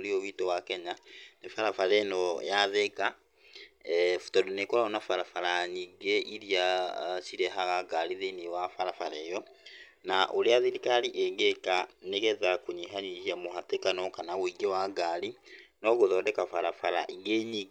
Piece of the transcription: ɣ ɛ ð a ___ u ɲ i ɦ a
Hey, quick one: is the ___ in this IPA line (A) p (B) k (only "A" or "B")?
B